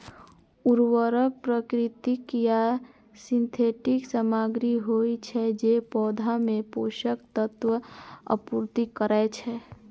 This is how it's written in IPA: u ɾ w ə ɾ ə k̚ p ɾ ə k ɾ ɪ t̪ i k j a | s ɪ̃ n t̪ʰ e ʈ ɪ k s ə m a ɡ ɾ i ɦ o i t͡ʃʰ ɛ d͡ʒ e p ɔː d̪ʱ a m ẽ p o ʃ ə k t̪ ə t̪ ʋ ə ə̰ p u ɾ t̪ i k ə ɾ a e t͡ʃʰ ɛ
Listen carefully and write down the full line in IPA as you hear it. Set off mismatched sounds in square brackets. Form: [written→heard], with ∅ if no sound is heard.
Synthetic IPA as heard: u ɾ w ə ɾ ə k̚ p ɾ ə k ɾ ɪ t̪ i k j a | s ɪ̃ n t̪ʰ e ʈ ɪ k s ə m a ɡ ɾ i ɦ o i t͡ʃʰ ɛ d͡ʒ e p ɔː d̪ʱ a m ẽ p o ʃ ə k t̪ ə t̪ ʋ ə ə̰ p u ɾ t̪ i k ə ɾ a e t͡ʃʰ ɛ